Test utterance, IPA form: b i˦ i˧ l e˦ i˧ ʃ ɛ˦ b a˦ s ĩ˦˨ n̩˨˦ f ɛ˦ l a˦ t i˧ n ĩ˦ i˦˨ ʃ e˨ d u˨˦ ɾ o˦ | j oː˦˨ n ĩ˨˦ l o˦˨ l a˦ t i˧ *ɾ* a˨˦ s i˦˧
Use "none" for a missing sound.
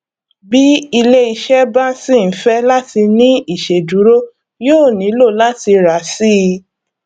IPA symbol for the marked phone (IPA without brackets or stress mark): ɾ